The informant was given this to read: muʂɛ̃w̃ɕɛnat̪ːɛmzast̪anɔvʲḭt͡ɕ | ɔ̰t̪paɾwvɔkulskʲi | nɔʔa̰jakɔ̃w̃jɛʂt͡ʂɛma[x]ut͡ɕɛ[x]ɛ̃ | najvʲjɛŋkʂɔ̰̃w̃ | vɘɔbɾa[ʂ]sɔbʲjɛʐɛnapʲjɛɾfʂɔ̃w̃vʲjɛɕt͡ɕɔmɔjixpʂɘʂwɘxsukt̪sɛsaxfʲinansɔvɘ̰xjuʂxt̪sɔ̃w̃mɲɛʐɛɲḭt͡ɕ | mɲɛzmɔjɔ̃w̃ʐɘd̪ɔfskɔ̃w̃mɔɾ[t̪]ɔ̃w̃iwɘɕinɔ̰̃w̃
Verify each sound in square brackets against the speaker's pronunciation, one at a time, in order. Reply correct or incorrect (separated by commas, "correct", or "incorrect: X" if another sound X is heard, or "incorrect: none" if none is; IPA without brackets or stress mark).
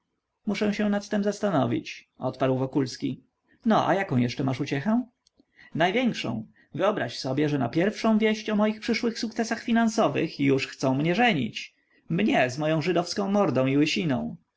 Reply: incorrect: ʂ, correct, incorrect: ɕ, incorrect: d̪